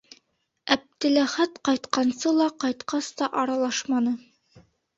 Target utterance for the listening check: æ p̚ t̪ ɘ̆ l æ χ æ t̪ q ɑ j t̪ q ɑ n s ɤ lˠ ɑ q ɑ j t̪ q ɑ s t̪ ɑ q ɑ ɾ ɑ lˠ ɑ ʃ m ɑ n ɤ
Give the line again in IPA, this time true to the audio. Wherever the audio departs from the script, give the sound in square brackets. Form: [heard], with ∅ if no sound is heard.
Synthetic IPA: æ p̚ t̪ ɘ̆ l æ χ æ t̪ q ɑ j t̪ q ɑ n s ɤ lˠ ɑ q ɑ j t̪ q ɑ s t̪ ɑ [ʔ] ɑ ɾ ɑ lˠ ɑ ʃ m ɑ n ɤ